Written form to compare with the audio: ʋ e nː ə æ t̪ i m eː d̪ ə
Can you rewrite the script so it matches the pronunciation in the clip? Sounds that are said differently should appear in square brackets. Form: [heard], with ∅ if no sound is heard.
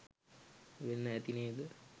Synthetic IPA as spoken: ʋ e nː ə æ t̪ i [n] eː d̪ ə